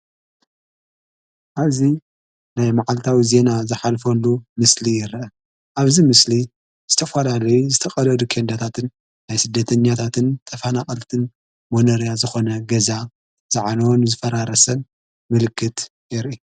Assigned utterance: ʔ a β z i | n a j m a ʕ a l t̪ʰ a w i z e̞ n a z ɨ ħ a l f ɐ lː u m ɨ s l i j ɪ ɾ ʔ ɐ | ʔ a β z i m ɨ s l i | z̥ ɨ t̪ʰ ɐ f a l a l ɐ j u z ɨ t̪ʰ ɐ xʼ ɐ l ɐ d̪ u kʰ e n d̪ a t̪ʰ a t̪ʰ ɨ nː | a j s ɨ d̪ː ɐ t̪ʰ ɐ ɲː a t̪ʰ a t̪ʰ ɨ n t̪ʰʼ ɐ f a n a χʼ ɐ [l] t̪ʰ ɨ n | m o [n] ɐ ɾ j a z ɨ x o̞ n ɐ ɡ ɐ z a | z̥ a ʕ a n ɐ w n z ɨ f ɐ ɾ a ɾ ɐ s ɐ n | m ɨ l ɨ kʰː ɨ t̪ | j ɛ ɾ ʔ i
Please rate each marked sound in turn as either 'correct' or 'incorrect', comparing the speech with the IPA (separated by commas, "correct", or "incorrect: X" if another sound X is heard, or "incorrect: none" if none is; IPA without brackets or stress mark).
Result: correct, correct